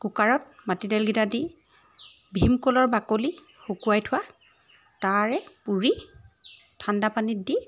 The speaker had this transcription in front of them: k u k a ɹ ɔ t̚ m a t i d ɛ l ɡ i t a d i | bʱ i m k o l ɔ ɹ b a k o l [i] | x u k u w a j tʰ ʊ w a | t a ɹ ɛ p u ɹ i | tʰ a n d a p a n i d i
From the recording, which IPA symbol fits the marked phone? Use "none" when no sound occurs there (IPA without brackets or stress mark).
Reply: i